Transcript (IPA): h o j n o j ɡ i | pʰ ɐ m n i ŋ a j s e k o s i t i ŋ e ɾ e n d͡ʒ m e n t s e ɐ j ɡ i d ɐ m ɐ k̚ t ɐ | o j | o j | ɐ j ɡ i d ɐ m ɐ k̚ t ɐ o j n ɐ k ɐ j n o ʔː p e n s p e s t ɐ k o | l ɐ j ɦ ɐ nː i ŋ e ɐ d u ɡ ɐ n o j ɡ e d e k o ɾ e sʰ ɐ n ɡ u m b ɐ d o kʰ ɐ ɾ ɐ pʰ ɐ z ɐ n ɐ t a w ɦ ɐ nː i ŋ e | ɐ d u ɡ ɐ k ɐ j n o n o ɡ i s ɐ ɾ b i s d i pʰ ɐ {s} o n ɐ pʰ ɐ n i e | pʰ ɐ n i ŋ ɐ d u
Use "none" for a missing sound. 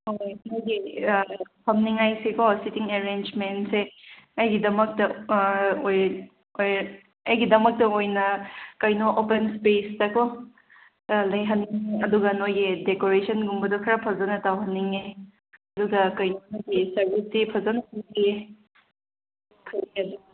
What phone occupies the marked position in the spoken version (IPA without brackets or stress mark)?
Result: z